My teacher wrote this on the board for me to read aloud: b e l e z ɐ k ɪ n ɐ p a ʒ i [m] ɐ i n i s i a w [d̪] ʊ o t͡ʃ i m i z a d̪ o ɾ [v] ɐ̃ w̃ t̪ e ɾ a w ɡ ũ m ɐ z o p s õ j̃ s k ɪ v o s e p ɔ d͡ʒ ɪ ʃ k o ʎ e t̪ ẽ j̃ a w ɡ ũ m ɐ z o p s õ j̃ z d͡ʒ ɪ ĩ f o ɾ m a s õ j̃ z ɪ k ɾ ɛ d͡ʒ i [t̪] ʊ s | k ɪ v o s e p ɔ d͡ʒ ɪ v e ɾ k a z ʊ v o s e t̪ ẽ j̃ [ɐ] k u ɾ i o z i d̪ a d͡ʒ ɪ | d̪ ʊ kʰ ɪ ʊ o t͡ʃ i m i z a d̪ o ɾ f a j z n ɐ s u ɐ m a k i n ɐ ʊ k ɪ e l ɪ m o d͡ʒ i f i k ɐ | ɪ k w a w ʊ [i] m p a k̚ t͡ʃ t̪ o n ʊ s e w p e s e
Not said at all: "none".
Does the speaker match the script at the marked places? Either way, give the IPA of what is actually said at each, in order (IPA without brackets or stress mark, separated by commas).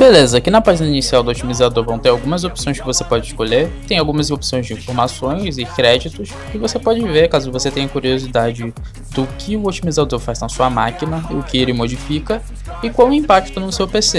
n, d̪, v, t̪, ɐ, ĩ